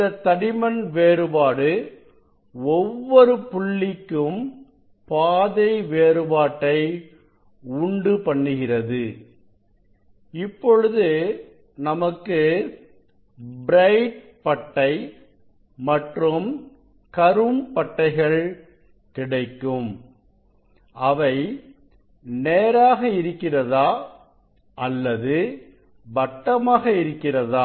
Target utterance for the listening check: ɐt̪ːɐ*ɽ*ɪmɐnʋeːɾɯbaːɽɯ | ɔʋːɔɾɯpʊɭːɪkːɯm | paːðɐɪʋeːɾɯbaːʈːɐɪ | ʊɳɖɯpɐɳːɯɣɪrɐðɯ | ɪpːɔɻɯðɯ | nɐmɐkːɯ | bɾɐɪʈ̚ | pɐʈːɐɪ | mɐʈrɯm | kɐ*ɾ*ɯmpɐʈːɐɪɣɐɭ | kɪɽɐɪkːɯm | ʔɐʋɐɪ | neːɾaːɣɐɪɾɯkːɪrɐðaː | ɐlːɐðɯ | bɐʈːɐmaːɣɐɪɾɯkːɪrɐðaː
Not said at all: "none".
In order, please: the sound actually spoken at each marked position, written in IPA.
ɽ, ɾ

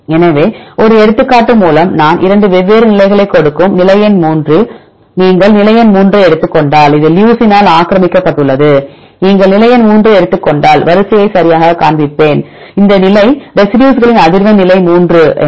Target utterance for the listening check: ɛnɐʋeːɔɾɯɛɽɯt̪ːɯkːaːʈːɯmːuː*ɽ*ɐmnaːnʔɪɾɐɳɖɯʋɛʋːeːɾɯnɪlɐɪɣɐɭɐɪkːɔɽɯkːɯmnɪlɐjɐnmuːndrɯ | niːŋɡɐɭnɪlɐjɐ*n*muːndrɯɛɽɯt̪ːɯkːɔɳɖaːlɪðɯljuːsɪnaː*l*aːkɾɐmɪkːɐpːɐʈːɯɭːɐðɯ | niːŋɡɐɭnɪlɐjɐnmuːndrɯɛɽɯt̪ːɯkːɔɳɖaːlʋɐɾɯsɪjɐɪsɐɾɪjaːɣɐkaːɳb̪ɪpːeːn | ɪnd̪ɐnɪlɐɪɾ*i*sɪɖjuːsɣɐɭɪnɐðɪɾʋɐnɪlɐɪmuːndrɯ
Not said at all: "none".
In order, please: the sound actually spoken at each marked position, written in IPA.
l, n, l, ɛ

